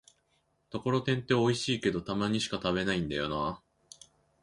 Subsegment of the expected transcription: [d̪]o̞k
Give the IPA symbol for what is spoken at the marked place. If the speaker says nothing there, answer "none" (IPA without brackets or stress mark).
t̪